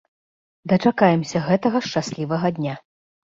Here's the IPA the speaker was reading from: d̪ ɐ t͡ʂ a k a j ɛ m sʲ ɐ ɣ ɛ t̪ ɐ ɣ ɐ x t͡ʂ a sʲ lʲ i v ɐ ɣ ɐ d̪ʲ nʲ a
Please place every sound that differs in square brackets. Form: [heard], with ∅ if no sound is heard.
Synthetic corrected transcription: d̪ ɐ t͡ʂ a k a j ɛ m sʲ ɐ ɣ ɛ t̪ ɐ ɣ ɐ [ʂ] t͡ʂ a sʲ lʲ i v ɐ ɣ ɐ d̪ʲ nʲ a